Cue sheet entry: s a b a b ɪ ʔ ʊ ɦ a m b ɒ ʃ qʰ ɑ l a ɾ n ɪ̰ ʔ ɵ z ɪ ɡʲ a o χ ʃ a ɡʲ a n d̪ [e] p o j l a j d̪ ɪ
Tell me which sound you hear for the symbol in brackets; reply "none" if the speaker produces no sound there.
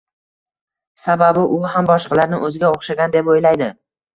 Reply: e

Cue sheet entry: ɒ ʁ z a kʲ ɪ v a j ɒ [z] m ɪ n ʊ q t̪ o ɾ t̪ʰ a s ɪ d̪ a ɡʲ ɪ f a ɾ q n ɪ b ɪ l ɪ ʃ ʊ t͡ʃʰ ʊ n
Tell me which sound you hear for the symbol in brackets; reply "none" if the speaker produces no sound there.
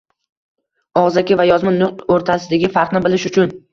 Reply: z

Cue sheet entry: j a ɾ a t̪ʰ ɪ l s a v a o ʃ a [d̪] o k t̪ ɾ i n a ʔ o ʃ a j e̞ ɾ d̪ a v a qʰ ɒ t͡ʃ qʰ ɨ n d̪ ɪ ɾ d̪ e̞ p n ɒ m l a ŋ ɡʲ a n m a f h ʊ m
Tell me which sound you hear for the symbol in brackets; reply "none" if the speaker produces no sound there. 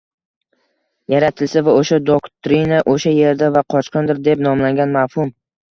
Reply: d̪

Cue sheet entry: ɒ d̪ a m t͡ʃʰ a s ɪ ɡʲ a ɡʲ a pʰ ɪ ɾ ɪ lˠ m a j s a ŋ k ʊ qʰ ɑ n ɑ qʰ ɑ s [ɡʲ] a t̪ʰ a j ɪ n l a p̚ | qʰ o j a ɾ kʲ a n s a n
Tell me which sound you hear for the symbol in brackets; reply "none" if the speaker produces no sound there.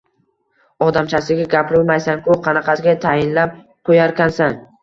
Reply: ɡʲ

